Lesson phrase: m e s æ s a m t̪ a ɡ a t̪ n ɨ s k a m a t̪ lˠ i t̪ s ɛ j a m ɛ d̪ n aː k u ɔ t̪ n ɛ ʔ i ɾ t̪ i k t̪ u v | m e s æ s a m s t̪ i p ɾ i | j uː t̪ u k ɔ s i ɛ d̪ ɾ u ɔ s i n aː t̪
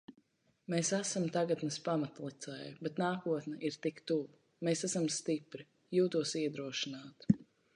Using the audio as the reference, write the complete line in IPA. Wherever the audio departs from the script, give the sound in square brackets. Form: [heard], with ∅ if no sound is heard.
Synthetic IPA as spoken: m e s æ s a m t̪ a ɡ a t̪ n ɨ s [p] a m a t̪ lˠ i t̪ s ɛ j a [b] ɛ [t̪] n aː k u ɔ t̪ n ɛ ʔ i ɾ t̪ i k t̪ u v | m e s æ s a m s t̪ i p ɾ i | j uː t̪ u [∅] ɔ s i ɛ d̪ ɾ u ɔ [ʃ] i n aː t̪